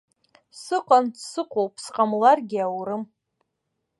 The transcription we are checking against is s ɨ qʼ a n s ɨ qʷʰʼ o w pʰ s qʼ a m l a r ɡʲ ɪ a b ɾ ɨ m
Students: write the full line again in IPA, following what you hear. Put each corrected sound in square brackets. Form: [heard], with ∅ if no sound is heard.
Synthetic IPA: s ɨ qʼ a n s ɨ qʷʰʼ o w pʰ s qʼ a m l a r ɡʲ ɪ a [w] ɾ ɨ m